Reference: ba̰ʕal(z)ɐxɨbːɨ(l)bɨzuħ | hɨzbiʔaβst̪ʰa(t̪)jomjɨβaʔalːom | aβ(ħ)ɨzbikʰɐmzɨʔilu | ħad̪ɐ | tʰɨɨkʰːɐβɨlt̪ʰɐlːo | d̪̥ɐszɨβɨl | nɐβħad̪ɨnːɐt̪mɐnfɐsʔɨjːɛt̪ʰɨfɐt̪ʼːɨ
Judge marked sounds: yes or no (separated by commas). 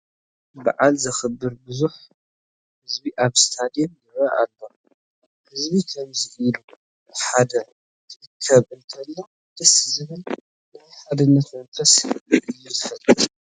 yes, no, no, no